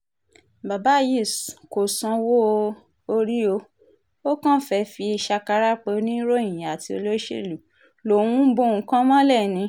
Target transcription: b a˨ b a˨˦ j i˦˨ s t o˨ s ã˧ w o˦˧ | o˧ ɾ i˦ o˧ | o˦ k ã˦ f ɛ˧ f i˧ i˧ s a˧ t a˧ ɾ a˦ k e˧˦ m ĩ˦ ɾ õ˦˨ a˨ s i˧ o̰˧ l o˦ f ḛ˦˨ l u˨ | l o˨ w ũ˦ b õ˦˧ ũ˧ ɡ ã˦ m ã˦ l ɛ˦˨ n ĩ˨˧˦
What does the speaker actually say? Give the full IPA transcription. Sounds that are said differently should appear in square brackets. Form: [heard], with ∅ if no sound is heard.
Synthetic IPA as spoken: b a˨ b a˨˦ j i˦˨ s [k] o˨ s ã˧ w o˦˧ | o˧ ɾ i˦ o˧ | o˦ k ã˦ f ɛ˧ f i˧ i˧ [ʃ] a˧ [k] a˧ ɾ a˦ [k͡p] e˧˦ [n] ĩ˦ ɾ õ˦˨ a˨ [t] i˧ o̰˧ l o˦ [ʃ] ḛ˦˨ l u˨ | l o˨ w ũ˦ b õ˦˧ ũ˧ [k] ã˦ m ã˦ l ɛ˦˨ n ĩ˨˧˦